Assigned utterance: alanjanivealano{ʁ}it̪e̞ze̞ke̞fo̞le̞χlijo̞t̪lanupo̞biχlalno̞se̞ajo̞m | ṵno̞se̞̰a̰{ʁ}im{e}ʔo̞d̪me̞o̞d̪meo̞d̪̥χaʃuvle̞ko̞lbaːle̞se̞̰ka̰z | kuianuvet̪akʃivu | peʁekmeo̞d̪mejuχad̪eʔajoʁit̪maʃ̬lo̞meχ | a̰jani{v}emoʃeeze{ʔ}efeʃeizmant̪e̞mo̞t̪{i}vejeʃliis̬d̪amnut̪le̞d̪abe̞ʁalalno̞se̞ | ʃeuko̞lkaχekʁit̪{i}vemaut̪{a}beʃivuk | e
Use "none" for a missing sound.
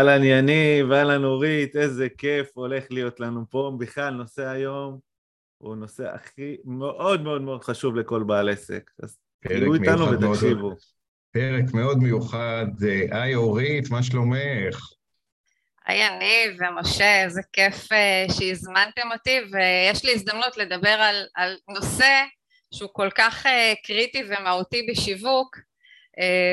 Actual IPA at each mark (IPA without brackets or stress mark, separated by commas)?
ʁ, χ, e, v, k, i, i, i